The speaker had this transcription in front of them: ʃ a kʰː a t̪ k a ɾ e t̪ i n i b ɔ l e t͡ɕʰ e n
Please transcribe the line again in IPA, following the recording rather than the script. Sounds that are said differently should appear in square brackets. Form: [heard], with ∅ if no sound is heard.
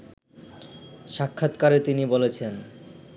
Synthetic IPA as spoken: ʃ a kʰː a t̪ k a ɾ e t̪ i n i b [o] l e t͡ɕʰ e n